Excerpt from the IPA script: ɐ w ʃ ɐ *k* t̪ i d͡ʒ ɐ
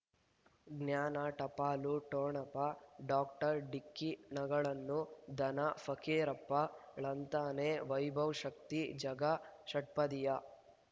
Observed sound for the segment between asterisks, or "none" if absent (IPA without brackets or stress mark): k